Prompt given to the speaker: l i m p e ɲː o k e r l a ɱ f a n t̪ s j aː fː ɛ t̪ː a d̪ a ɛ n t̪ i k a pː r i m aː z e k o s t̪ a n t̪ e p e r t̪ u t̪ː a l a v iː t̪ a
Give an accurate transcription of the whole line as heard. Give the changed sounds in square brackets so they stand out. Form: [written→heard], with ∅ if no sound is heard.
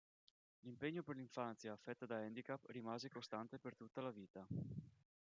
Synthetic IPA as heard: l i m p e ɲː o [k→p] e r l [a→i] ɱ f a n t̪ s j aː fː ɛ t̪ː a d̪ a ɛ n [t̪→d̪] i k a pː r i m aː z e k o s t̪ a n t̪ e p e r t̪ u t̪ː a l a v iː t̪ a